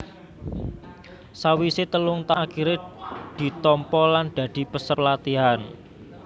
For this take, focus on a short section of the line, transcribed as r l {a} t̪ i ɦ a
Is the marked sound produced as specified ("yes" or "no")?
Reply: yes